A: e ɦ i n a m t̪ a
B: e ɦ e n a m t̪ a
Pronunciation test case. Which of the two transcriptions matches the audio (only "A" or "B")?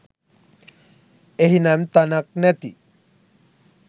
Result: A